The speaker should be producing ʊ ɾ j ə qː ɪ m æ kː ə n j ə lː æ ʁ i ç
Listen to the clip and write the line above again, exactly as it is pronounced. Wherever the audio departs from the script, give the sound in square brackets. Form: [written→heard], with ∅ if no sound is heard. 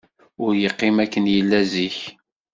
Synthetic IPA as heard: ʊ ɾ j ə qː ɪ m æ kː ə n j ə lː æ [ʁ→z] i ç